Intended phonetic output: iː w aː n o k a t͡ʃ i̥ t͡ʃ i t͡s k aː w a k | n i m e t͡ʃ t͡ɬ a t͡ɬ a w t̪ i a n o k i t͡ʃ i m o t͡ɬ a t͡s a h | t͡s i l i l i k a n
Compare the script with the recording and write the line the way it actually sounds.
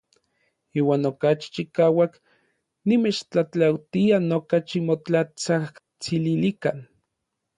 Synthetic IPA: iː w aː n o k a t͡ʃ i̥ t͡ʃ i k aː w a k | n i m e t͡ʃ t͡ɬ a t͡ɬ a w t̪ i a n o k a t͡ʃ i m o t͡ɬ a t͡s a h | t͡s i l i l i k a n